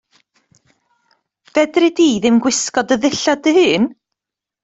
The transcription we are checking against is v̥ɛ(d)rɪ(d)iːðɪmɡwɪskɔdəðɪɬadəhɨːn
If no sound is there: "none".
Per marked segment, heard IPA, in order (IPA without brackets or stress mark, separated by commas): d, d